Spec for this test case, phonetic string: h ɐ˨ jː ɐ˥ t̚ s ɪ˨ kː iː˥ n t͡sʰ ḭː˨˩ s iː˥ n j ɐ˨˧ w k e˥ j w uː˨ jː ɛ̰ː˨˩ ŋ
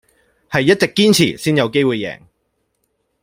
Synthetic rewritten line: h ɐ˨ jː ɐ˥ t̚ t͡s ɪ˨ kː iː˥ n t͡sʰ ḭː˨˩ s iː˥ n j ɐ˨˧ w k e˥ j w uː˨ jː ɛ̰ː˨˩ ŋ